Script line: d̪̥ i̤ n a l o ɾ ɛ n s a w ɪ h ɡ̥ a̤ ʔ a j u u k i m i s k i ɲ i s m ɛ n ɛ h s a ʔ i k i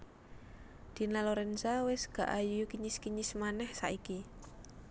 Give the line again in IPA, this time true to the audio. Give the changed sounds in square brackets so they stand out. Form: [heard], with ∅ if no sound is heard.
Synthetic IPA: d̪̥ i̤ n a l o ɾ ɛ n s a w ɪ [s] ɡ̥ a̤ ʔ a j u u k i [ɲ] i s k i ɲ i s m [a] n ɛ h s a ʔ i k i